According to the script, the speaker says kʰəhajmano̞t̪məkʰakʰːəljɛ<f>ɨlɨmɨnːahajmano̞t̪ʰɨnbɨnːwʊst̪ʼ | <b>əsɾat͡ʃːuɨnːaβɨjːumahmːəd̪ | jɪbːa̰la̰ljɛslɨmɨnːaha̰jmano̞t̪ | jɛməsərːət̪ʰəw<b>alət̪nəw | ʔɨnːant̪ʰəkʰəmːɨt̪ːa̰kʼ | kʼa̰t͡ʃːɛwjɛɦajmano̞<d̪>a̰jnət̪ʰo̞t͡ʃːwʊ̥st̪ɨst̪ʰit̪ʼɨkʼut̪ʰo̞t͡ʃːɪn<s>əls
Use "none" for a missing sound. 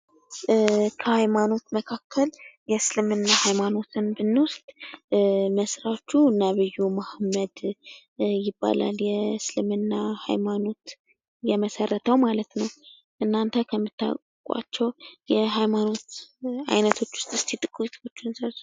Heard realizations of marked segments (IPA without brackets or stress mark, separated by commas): s, m, m, t̪, s